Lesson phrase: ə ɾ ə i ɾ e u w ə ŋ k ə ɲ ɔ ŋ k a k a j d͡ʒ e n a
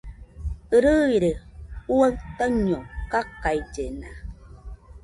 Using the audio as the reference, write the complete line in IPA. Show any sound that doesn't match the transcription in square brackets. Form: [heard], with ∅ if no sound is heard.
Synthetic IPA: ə ɾ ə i ɾ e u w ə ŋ [t] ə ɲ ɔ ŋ k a k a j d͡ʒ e n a